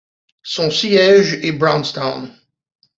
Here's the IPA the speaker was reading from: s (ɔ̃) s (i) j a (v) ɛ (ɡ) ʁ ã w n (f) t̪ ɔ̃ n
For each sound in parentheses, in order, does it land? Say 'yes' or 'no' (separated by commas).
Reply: yes, yes, no, no, no